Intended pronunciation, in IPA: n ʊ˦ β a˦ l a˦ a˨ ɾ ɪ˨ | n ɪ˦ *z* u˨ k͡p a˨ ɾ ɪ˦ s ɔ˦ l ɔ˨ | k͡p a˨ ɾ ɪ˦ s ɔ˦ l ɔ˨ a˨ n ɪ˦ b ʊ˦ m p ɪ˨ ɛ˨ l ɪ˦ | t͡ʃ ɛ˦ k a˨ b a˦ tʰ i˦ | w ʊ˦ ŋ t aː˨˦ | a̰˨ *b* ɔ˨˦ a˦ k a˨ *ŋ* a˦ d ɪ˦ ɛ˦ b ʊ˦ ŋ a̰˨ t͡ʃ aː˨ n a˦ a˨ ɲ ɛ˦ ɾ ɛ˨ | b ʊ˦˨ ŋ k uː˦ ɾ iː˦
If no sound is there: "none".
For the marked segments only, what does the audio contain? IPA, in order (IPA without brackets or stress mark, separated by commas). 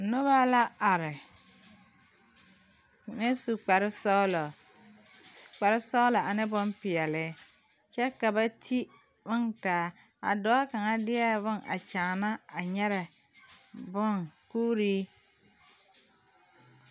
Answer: s, d, ŋ